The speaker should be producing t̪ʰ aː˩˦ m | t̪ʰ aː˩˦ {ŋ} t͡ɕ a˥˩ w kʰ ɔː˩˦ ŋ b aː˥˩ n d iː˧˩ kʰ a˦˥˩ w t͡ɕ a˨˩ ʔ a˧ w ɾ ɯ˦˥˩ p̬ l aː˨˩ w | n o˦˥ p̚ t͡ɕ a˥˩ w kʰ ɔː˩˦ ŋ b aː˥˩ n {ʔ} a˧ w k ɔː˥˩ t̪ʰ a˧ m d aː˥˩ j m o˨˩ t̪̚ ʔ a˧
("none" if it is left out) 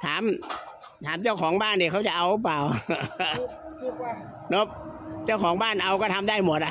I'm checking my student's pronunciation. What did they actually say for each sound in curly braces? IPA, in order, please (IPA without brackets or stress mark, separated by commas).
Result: m, ʔ